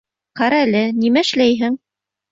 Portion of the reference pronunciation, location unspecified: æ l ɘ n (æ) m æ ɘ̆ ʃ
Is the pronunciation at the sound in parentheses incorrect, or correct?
incorrect